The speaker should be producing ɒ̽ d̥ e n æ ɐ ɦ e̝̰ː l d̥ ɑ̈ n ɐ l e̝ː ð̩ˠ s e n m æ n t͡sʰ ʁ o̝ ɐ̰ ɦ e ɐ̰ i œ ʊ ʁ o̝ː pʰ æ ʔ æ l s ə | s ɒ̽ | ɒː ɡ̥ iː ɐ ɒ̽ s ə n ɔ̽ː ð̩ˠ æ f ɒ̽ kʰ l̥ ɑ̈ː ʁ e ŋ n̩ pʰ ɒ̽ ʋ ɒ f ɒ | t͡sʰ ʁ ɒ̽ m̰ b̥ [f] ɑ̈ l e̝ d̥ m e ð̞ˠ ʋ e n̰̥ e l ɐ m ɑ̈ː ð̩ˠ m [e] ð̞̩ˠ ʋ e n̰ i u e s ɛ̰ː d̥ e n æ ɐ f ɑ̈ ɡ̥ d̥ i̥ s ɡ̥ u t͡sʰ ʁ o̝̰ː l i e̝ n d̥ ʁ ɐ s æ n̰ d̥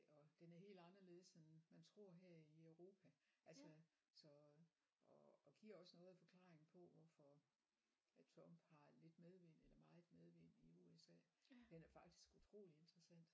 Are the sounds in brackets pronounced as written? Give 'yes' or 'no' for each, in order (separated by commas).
no, yes